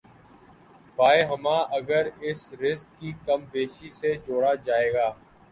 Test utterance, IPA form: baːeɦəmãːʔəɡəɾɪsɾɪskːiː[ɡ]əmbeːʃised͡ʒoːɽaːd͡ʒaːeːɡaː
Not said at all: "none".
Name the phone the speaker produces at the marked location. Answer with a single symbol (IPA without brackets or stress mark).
k